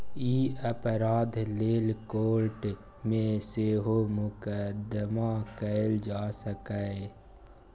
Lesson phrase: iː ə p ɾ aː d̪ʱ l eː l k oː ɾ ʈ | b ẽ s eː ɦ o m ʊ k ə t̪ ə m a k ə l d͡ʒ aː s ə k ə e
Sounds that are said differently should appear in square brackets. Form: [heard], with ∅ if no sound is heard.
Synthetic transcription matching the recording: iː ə p ɾ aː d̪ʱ l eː l k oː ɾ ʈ | [m] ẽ s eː ɦ o m ʊ k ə [d̪] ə m a k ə l d͡ʒ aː s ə k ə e

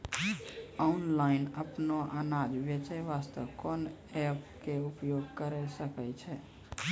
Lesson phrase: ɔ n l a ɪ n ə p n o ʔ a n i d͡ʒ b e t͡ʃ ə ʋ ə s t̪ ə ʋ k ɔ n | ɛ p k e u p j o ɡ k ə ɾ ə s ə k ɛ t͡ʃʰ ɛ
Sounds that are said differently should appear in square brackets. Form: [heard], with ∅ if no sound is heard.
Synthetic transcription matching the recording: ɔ n l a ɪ n ə p n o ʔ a n [a] d͡ʒ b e t͡ʃ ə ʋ [a] s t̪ ə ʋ k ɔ n | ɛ p k e u p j o ɡ k ə ɾ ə s ə k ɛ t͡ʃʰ ɛ

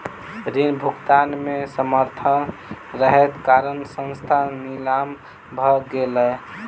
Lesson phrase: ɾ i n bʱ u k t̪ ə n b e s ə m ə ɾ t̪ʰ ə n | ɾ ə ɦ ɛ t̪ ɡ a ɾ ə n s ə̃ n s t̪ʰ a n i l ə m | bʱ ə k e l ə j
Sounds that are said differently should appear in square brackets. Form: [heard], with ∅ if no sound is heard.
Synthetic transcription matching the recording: ɾ i n bʱ u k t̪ [a] n [m] e s ə m ə ɾ t̪ʰ ə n | ɾ ə ɦ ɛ t̪ [k] a ɾ ə n s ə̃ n s t̪ʰ a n i l [a] m | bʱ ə [ɡ] e l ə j

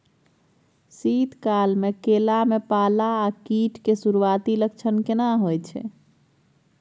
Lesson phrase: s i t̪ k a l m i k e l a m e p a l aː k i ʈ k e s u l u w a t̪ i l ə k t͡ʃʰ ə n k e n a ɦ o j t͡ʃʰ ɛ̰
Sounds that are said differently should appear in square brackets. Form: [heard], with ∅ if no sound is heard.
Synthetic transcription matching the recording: s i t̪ k a l m [e] k e l a m e p a l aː k i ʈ k e s u [ɾ] u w a t̪ i l ə k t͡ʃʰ ə n k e n a ɦ o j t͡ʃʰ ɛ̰

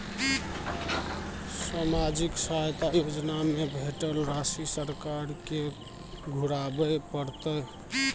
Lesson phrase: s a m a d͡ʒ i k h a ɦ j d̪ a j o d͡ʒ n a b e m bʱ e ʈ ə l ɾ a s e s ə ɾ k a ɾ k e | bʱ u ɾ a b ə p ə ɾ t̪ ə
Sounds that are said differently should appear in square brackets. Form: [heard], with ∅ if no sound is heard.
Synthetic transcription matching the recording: s a m a d͡ʒ i k [s] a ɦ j [t̪] a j o d͡ʒ n a [m] e [∅] bʱ e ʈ ə l ɾ a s [i] s ə ɾ k a ɾ k e | [ɡʱ] u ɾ a b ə p ə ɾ t̪ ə

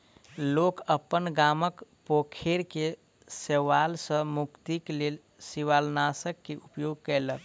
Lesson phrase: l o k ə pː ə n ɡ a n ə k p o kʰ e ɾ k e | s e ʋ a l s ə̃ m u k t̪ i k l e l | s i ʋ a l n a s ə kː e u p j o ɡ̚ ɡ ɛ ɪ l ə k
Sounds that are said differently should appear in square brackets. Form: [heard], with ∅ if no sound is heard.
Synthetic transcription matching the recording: l o k ə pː ə n ɡ a [m] ə k p o kʰ e ɾ k e | s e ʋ a l s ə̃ m u k t̪ i k l e l | s i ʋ a l n a s ə kː e u p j o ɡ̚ [k] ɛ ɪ l ə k

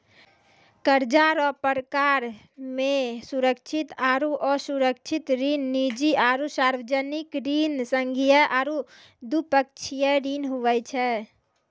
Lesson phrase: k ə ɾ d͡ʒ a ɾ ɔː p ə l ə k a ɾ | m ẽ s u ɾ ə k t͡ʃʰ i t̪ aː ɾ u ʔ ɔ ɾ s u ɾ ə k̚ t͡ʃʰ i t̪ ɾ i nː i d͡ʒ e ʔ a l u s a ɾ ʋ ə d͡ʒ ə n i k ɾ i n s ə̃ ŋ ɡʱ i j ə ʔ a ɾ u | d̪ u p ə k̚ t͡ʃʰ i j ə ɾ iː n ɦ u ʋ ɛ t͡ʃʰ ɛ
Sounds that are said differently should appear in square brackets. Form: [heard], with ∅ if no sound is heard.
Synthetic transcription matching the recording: k ə ɾ d͡ʒ a ɾ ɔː p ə [ɾ] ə k a ɾ | m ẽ s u ɾ ə k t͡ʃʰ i t̪ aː ɾ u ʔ ɔ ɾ s u ɾ ə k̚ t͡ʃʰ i t̪ ɾ i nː i d͡ʒ [i] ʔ a [ɾ] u s a ɾ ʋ ə d͡ʒ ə n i k ɾ i n s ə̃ ŋ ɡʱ i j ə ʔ a ɾ u | d̪ u p ə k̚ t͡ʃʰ i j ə ɾ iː n ɦ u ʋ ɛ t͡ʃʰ ɛ

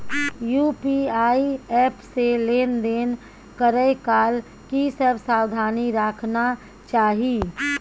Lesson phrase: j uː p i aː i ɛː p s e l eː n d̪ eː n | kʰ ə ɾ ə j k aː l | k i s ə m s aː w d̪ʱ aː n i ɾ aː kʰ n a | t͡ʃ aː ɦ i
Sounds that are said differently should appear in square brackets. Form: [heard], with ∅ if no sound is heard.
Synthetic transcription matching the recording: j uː p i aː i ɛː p s e l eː n d̪ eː n | [k] ə ɾ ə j k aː l | k i s ə [b] s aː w d̪ʱ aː n i ɾ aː kʰ n a | t͡ʃ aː ɦ i

